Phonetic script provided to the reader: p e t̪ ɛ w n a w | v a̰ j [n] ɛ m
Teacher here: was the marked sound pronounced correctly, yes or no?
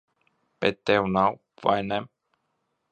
yes